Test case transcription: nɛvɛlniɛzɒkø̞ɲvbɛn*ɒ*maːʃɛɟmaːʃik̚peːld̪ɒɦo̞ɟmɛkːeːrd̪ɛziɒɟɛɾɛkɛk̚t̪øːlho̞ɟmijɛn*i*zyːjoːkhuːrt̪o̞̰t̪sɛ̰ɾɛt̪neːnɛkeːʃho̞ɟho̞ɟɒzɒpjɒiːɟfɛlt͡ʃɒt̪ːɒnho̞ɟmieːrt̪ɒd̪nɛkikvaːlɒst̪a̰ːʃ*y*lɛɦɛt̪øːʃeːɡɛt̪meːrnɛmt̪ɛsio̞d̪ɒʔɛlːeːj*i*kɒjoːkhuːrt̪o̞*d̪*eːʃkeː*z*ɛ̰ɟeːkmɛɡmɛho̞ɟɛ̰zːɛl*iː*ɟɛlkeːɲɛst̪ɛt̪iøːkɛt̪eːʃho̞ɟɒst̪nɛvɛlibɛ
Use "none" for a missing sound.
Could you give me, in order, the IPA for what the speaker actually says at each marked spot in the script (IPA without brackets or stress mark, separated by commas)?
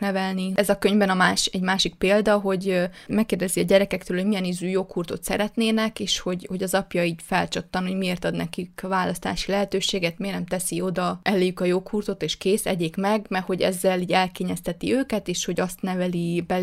ɒ, i, i, y, t̪, s, iː